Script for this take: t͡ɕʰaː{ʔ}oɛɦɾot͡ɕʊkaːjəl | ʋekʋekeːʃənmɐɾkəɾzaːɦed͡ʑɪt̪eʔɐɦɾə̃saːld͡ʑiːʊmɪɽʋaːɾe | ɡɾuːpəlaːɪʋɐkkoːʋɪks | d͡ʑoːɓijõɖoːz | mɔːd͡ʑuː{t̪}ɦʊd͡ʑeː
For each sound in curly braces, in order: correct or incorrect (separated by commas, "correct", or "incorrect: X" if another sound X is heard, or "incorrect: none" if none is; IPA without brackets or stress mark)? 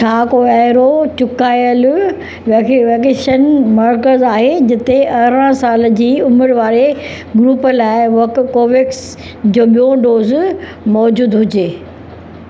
incorrect: k, incorrect: d̪